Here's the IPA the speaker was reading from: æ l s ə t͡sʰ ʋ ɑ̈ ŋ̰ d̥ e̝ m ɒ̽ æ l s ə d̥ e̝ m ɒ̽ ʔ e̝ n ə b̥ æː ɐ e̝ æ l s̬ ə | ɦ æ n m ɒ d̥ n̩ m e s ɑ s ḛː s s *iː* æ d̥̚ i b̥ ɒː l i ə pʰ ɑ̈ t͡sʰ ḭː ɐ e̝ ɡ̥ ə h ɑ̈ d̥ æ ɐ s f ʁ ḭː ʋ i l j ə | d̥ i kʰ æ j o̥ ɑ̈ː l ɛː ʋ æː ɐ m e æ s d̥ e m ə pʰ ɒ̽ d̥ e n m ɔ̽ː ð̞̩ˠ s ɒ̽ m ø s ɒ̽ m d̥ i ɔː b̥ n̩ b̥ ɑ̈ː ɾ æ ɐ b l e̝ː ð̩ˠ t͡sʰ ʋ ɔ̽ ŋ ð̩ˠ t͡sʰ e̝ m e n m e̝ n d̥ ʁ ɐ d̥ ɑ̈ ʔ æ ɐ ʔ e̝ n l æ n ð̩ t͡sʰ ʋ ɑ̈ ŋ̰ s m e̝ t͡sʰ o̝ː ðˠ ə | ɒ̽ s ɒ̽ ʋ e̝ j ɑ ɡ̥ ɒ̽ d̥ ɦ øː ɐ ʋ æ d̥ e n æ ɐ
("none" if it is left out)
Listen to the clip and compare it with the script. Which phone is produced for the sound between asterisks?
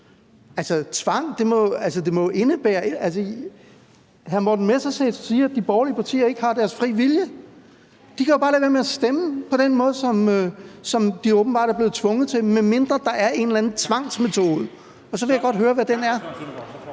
iː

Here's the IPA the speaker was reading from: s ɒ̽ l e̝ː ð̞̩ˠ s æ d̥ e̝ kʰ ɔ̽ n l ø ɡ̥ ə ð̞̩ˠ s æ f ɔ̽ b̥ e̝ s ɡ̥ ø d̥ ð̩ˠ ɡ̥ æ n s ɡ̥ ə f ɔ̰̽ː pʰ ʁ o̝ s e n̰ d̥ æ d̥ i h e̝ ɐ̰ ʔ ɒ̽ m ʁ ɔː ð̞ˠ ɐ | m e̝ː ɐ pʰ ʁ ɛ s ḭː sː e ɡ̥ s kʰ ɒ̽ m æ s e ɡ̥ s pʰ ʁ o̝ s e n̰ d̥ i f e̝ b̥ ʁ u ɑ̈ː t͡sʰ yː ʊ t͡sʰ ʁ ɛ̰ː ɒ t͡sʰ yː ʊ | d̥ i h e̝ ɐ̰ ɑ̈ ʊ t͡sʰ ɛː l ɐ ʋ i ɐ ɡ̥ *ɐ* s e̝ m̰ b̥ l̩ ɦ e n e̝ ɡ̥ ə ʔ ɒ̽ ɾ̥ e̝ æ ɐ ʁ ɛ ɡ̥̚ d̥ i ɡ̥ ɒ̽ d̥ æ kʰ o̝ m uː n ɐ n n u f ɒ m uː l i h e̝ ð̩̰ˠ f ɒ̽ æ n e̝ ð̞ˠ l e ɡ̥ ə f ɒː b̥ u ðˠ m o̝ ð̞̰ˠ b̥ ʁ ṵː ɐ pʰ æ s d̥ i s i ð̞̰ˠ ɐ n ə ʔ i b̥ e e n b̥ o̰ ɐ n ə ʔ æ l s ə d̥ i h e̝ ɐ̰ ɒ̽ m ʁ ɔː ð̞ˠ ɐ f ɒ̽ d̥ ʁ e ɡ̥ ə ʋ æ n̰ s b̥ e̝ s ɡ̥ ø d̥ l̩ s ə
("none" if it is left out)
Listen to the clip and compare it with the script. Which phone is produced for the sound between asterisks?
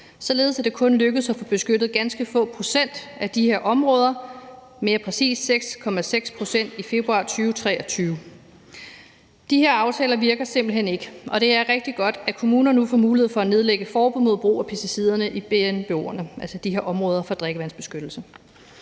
ɐ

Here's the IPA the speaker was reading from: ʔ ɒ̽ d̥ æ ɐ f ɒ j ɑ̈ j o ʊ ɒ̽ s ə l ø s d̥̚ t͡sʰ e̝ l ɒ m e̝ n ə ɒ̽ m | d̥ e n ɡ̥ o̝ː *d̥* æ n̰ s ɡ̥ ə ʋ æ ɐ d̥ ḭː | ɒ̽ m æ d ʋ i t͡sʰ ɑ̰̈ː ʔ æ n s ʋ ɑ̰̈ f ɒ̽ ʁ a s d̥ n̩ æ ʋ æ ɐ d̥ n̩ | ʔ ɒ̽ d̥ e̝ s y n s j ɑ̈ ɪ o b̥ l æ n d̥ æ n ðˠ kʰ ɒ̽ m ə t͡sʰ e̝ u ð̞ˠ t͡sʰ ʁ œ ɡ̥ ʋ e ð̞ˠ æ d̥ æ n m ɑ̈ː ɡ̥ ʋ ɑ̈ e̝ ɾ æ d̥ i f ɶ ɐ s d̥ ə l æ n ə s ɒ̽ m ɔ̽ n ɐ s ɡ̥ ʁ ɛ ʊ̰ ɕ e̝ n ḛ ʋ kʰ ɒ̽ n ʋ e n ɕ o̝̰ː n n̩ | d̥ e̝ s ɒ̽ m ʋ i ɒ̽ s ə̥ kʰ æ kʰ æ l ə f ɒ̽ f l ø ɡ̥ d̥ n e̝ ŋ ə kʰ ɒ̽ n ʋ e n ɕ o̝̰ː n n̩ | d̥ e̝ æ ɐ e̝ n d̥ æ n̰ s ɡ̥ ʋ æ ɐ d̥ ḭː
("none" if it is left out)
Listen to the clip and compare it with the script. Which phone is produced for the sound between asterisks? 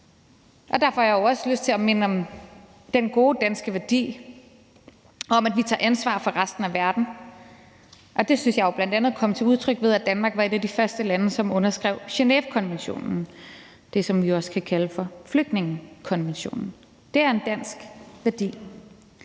d̥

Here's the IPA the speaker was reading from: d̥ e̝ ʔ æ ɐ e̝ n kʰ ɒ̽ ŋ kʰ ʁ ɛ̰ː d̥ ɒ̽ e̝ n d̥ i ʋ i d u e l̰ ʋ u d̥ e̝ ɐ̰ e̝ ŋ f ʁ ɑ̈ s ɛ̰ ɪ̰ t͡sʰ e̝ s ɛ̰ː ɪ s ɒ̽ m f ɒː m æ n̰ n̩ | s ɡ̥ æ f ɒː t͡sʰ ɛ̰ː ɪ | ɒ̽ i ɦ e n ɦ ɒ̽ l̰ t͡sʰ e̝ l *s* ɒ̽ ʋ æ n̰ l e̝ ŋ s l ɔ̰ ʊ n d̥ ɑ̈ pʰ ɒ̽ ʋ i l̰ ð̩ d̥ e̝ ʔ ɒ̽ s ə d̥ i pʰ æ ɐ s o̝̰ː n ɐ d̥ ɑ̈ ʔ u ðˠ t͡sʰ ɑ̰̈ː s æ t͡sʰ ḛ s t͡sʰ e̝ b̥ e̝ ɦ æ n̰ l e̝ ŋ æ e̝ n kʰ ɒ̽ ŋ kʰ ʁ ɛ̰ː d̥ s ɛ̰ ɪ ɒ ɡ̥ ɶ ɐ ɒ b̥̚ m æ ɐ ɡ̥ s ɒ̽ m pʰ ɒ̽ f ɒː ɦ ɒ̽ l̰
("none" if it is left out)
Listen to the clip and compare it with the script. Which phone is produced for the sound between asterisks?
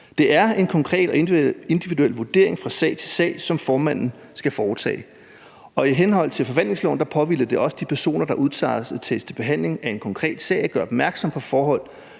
f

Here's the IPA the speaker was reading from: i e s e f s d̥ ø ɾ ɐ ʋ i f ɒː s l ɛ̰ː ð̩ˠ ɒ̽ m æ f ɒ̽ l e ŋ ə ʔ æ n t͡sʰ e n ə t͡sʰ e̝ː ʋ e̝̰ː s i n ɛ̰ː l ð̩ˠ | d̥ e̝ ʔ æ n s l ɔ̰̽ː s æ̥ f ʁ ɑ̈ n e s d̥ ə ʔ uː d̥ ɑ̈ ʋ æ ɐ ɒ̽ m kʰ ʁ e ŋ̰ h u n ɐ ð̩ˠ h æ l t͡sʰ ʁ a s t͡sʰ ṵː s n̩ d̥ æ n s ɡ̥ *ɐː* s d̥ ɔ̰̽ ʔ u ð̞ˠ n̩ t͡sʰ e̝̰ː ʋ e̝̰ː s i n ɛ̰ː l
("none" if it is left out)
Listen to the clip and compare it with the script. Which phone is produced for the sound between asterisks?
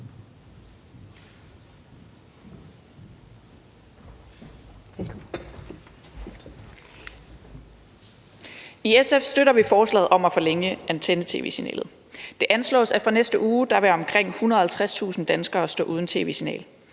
ɐː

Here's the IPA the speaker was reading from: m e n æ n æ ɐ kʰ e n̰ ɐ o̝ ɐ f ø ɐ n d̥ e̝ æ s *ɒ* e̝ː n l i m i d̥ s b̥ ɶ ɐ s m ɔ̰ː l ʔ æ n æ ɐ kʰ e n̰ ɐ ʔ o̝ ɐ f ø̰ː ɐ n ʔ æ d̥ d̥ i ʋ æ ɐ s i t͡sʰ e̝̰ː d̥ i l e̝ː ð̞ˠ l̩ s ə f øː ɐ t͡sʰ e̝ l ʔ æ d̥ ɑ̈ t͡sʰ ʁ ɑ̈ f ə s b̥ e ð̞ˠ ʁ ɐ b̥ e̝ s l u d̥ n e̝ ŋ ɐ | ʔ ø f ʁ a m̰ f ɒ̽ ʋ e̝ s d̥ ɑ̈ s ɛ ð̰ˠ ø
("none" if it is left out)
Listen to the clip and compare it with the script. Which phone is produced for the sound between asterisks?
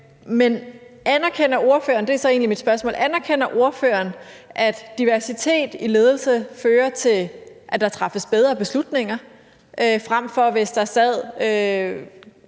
ɒ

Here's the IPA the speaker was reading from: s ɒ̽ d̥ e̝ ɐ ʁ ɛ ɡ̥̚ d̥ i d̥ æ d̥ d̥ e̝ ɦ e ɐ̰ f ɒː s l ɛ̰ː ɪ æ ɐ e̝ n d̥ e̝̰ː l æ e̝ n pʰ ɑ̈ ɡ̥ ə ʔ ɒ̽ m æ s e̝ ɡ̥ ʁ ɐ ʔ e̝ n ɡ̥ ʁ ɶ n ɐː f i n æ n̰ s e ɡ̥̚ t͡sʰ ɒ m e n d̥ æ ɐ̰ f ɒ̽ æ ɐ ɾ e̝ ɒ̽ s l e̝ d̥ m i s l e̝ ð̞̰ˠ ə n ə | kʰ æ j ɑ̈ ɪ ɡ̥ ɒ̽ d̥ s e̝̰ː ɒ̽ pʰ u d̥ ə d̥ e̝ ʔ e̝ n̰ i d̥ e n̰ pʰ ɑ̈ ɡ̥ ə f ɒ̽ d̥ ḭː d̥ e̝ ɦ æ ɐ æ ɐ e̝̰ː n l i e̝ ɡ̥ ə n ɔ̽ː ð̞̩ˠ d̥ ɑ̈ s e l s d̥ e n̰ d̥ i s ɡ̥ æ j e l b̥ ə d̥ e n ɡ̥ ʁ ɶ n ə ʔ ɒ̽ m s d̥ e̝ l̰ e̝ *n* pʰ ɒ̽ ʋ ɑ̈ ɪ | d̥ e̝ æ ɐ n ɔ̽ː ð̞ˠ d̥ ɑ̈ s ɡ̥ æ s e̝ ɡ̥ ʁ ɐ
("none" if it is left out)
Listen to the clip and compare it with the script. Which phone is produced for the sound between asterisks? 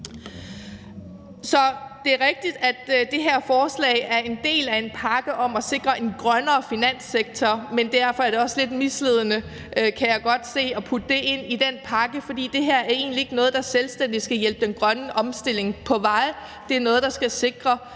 ŋ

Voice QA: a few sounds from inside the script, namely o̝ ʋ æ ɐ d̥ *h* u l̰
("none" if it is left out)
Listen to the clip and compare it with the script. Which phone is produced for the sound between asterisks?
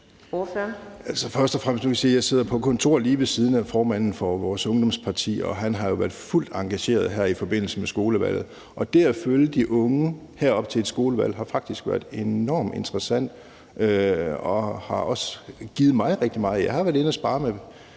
f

